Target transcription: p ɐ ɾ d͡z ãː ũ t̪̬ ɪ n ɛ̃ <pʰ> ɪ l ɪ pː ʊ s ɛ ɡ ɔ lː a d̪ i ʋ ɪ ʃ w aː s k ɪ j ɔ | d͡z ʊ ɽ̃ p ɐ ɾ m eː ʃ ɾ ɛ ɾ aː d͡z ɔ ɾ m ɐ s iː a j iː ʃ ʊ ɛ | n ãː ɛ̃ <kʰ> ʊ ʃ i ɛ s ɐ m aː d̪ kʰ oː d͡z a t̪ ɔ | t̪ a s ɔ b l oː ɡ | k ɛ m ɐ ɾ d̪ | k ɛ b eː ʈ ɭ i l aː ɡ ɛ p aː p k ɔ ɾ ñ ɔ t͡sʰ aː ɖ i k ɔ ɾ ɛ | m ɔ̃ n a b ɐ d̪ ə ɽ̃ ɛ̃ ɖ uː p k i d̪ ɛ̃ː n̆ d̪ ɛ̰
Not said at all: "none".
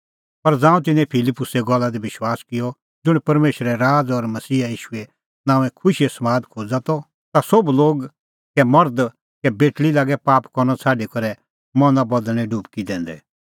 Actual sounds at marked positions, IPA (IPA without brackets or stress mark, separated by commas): pʰ, kʰ